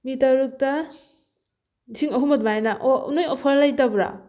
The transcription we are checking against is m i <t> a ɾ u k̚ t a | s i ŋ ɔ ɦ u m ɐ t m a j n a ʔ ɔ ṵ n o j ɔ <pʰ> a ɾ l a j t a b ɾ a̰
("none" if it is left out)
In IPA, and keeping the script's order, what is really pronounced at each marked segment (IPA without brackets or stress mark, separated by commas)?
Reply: t, pʰ